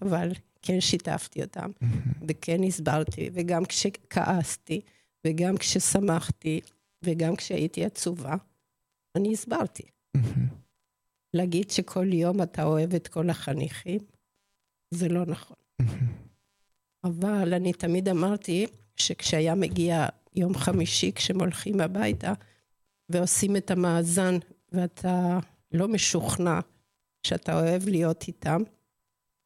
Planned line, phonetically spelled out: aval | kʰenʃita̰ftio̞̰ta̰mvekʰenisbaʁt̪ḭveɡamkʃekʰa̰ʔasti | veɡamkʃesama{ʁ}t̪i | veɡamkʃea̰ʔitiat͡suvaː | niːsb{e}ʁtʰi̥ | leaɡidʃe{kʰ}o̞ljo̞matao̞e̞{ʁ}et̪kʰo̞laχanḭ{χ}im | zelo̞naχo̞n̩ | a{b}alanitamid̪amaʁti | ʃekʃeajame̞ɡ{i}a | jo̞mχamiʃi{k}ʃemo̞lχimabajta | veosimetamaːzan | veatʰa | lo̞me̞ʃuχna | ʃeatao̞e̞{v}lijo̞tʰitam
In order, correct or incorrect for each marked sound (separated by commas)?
incorrect, incorrect, correct, incorrect, correct, incorrect, correct, correct, correct